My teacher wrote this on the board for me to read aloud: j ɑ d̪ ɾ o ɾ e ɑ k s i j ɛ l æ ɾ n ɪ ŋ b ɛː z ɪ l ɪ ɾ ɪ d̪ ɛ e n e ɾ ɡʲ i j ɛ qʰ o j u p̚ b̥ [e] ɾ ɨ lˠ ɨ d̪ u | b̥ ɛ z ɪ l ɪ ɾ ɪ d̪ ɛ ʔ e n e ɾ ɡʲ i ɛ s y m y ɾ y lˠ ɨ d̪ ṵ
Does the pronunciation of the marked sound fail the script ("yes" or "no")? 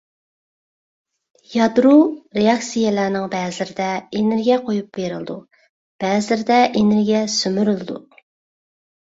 no